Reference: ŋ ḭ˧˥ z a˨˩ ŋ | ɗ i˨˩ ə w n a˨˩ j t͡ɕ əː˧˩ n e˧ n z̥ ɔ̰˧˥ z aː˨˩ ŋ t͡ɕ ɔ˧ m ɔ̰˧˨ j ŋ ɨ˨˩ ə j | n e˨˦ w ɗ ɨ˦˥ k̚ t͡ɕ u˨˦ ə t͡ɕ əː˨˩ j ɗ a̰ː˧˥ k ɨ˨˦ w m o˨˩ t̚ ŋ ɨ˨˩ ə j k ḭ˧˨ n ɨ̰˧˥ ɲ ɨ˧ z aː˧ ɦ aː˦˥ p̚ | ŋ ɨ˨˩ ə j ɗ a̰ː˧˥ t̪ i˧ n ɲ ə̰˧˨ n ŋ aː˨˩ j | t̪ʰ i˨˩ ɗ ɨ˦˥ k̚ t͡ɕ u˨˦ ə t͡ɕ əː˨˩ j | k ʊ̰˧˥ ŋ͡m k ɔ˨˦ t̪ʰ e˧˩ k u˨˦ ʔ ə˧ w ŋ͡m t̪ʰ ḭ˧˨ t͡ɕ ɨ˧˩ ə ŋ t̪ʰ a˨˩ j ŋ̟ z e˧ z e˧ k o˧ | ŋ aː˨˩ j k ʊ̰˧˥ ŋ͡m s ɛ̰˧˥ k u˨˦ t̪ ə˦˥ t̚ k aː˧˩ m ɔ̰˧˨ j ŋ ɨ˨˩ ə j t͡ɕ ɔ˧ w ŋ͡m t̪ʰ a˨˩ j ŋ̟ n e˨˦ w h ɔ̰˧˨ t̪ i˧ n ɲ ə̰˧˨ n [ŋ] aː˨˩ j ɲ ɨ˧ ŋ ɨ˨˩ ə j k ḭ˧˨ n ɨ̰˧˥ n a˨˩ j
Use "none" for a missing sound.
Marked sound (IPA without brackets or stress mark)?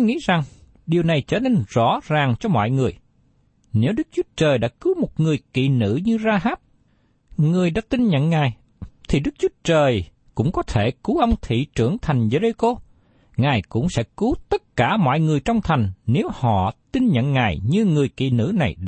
ŋ